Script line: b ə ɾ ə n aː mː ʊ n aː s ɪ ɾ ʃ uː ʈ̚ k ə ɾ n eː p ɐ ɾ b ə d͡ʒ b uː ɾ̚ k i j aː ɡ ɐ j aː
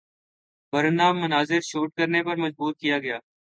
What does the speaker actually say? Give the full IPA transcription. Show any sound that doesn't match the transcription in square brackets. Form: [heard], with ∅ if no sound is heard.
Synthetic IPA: b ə ɾ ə n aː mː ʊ n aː [z] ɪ ɾ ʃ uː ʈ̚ k ə ɾ n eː p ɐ ɾ [m] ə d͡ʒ b uː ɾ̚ k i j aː ɡ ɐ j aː